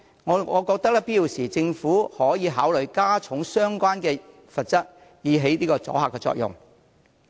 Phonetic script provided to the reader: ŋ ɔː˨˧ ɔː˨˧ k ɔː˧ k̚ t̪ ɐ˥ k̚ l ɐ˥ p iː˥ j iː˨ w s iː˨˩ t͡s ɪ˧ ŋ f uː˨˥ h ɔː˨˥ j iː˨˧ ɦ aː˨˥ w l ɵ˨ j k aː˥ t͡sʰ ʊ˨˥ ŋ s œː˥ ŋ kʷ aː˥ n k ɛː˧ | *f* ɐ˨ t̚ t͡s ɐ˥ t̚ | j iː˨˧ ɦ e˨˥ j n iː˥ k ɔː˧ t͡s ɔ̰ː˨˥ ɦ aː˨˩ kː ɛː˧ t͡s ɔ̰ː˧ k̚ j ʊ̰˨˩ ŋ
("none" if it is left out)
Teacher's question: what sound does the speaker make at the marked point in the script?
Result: f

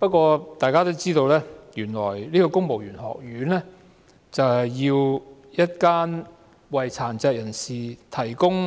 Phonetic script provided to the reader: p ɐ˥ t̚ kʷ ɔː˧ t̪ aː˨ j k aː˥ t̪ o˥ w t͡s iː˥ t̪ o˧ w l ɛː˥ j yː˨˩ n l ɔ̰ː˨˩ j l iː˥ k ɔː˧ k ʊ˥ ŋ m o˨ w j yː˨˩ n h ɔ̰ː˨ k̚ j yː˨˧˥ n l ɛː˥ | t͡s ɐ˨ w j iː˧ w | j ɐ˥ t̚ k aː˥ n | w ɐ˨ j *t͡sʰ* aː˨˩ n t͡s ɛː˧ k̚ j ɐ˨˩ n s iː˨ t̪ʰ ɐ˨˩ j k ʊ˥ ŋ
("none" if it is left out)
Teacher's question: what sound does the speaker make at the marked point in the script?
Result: t͡sʰ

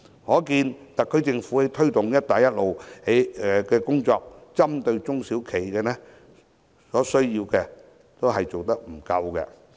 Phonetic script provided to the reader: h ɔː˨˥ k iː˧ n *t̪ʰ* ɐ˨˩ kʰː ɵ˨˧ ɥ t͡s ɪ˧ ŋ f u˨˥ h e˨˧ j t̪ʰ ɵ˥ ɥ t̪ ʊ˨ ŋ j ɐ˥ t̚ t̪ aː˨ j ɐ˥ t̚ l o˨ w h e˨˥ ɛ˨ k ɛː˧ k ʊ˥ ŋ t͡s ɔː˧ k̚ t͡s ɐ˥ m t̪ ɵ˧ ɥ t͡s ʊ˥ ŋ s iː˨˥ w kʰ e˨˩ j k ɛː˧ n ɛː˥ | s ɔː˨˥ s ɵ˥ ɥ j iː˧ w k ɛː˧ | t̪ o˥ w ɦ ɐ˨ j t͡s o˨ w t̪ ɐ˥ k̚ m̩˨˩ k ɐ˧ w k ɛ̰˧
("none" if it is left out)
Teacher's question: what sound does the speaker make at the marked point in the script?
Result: t̪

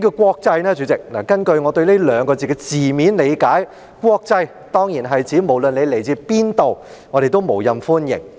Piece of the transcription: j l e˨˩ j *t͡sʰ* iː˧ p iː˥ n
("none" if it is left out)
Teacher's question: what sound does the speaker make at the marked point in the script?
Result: t͡s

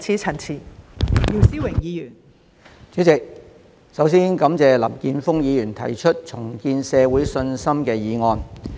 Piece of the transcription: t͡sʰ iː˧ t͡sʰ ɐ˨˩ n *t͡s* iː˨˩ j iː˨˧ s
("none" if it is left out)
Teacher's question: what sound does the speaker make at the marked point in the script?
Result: t͡sʰ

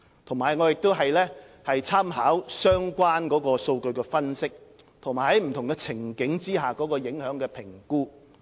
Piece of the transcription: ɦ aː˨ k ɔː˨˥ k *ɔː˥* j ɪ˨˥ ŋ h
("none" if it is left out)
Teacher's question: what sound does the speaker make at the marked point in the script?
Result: ɔː˧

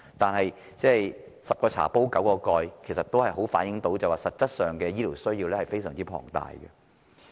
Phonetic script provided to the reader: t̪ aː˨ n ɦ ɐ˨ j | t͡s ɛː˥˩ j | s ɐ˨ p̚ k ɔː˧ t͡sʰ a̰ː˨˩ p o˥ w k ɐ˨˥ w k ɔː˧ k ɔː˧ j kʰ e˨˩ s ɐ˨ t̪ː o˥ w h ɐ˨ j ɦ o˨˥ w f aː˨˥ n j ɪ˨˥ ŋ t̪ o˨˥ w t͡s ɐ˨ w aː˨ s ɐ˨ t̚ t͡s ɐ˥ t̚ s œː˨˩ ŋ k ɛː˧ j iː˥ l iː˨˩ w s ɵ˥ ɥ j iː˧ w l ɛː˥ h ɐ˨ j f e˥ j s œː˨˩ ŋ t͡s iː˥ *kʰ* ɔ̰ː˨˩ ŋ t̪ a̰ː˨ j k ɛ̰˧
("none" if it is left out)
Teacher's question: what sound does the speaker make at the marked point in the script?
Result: pʰ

